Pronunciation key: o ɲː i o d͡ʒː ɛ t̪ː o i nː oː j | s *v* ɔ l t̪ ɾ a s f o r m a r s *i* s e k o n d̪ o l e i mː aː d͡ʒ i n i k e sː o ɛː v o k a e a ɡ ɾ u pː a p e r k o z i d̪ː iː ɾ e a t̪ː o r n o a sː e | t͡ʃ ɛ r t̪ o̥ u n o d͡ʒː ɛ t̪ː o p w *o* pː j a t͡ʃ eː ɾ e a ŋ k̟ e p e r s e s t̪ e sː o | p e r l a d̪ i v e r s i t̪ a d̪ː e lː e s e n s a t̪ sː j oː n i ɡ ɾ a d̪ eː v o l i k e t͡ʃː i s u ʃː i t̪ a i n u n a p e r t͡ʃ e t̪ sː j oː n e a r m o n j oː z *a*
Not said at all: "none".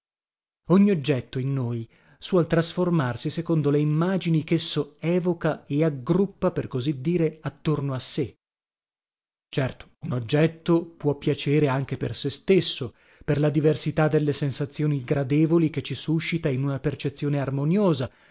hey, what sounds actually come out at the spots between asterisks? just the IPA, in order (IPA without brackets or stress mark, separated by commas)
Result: w, i, ɔ, a